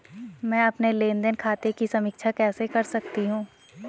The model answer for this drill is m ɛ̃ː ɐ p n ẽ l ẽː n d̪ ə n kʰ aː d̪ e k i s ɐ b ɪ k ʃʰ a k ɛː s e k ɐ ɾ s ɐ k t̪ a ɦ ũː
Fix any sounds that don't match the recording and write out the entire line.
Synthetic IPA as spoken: m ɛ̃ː ɐ p n e l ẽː n d̪ ə n kʰ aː t̪ e k i s ɐ m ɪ k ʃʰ a k ɛː s e k ɐ ɾ s ɐ k t̪ i ɦ ũː